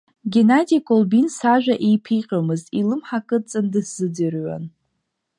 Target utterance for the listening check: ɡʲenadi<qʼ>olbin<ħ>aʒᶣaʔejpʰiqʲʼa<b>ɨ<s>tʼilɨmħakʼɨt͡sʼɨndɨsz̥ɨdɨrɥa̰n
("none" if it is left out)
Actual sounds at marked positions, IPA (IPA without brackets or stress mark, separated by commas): kʼ, s, m, z